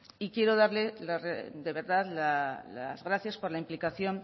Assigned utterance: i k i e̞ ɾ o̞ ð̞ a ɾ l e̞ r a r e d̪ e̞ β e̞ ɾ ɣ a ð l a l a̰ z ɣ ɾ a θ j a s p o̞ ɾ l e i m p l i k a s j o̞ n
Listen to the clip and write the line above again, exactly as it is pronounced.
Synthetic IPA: i k j e̞ ɾ o̞ ð̞ a ɾ l e̞ l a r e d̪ e̞ β e̞ ɾ ð a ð l a l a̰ z ɣ ɾ a θ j a s p o̞ ɾ l a i m p l i k a θ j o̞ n